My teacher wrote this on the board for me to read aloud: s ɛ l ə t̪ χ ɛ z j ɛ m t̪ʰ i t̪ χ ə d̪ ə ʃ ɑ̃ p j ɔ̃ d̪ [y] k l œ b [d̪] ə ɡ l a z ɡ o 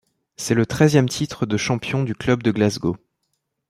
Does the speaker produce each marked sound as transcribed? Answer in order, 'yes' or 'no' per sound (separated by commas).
yes, yes